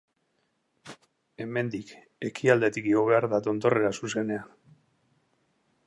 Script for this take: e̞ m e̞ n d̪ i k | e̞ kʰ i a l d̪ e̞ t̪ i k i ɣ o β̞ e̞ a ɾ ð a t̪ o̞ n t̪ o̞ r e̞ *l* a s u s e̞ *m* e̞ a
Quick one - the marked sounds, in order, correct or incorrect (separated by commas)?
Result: incorrect, incorrect